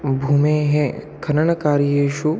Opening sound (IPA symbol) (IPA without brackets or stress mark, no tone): bʱ